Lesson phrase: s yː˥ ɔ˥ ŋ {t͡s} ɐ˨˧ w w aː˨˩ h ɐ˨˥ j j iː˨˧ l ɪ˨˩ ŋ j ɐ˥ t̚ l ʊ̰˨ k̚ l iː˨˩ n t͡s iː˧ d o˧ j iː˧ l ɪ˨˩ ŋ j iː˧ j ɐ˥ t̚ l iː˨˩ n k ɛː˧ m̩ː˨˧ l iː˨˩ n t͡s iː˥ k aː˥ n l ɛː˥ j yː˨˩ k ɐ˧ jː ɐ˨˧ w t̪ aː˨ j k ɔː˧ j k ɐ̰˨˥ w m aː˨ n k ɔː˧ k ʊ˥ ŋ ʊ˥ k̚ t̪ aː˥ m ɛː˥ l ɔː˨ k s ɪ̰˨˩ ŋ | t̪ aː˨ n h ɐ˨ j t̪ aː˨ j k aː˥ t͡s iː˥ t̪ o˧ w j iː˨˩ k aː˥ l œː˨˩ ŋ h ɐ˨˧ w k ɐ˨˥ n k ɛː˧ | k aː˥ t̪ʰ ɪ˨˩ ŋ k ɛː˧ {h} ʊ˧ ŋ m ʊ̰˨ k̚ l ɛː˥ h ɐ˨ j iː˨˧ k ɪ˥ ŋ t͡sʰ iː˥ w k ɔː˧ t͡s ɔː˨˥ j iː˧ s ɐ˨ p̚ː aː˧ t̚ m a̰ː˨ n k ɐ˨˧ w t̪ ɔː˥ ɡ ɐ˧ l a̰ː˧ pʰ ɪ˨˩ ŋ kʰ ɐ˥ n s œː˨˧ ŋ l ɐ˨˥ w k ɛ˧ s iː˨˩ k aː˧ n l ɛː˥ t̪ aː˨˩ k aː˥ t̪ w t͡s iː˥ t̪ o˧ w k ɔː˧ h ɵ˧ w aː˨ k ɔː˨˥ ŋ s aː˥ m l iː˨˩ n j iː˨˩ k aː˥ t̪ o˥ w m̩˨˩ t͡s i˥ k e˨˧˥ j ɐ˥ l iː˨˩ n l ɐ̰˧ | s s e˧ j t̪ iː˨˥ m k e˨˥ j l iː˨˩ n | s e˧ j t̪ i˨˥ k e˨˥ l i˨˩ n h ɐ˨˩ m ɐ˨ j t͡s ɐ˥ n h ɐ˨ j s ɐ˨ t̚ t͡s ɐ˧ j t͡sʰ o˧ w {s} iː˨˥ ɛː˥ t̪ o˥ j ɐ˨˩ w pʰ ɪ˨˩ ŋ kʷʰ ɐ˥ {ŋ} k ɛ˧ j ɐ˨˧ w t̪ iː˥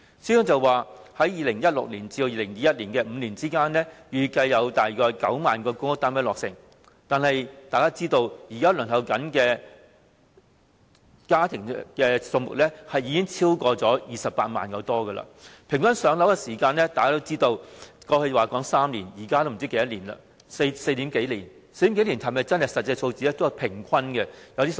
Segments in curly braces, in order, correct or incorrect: correct, incorrect: s, incorrect: t͡s, incorrect: n

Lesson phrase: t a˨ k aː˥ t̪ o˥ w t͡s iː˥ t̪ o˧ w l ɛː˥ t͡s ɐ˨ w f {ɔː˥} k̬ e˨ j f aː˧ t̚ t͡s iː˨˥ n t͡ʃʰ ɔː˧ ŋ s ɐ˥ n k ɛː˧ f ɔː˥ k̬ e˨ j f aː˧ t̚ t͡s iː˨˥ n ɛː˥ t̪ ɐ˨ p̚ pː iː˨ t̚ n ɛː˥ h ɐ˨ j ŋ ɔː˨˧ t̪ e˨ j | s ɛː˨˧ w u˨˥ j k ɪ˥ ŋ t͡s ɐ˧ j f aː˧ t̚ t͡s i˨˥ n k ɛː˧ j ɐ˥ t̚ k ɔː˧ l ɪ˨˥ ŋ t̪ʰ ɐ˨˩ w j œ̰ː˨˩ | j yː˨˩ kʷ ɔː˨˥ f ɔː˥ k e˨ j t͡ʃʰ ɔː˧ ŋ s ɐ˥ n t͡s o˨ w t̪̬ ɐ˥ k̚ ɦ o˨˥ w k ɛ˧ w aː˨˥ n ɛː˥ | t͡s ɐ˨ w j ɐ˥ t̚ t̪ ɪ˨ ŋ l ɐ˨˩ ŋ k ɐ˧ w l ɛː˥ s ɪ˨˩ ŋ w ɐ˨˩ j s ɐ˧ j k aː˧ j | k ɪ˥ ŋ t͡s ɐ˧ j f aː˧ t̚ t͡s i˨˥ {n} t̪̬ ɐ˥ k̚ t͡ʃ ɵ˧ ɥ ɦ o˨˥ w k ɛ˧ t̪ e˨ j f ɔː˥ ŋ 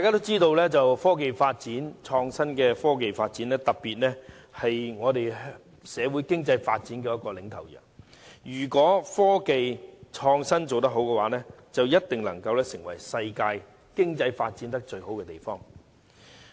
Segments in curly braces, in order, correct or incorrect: correct, correct

